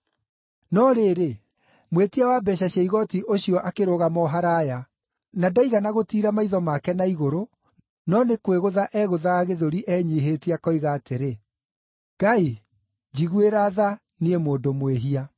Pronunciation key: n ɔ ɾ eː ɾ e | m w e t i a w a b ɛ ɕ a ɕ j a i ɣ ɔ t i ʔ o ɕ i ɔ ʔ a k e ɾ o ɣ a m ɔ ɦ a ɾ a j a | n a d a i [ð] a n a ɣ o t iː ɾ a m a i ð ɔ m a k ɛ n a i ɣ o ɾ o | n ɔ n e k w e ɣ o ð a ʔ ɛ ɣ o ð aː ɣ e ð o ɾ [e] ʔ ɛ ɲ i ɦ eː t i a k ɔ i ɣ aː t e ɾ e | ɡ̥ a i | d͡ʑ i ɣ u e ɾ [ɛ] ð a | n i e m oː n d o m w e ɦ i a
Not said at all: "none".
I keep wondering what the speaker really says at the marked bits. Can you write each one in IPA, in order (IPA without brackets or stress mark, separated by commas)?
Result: ɣ, i, a